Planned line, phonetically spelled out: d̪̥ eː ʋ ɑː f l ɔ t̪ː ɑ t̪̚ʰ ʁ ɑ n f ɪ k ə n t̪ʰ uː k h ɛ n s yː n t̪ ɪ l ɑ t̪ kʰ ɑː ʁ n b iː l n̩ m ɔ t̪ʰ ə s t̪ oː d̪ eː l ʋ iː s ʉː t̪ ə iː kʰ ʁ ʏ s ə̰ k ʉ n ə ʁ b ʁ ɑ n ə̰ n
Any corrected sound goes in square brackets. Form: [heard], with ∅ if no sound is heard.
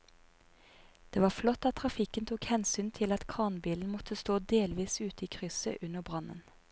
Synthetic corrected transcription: d̪̥ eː ʋ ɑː f l ɔ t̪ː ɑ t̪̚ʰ ʁ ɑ [∅] f ɪ k ə n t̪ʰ uː k h ɛ n s yː n [t̪ʰ] ɪ l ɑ t̪ kʰ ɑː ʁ n b iː l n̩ m ɔ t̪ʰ ə s t̪ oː d̪ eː l ʋ iː s ʉː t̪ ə iː kʰ ʁ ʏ s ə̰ [ʔ] ʉ n ə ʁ b ʁ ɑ n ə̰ n